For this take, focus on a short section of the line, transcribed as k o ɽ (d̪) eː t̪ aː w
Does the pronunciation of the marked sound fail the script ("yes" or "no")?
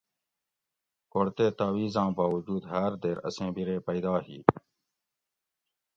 yes